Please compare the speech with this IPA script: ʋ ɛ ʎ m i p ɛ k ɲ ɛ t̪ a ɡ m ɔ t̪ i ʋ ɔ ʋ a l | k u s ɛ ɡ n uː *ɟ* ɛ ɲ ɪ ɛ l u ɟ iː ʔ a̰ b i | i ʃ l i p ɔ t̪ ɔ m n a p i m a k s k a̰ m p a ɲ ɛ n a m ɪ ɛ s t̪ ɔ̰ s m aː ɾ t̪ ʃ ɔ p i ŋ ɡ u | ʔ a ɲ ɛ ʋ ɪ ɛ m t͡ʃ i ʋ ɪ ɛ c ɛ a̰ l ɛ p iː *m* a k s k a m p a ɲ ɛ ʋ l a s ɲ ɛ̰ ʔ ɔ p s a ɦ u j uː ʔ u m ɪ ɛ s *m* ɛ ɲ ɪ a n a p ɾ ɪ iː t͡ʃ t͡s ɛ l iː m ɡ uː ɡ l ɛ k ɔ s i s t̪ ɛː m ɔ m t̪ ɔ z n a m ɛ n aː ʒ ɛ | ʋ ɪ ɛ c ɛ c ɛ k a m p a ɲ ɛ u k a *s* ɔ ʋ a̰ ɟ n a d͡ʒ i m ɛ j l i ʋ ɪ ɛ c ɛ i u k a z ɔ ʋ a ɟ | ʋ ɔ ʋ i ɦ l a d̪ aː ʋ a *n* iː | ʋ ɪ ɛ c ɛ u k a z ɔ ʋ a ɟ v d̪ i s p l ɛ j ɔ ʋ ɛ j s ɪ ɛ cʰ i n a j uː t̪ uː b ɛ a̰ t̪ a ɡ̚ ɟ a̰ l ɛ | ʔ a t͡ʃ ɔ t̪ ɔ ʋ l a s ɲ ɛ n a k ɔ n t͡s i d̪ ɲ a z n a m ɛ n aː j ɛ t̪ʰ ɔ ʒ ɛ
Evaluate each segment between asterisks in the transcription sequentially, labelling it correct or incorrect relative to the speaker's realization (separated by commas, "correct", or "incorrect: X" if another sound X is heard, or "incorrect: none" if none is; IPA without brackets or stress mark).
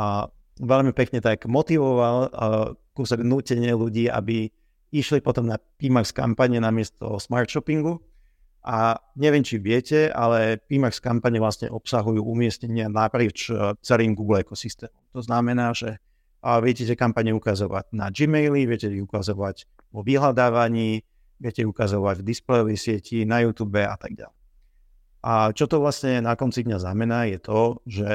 incorrect: c, correct, incorrect: ɲ, incorrect: z, incorrect: ɲ